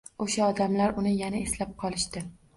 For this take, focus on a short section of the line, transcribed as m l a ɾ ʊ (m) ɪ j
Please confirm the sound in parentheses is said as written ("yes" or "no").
no